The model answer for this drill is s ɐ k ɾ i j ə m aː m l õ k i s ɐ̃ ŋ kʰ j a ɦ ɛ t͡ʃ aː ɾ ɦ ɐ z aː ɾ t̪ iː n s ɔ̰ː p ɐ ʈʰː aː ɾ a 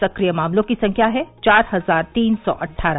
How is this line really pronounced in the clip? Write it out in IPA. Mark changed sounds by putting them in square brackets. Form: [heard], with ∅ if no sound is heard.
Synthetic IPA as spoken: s ɐ k ɾ i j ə m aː m l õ k i s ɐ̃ ŋ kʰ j a ɦ ɛ t͡ʃ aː ɾ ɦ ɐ z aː ɾ t̪ iː n s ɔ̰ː [ʔ] ɐ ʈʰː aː ɾ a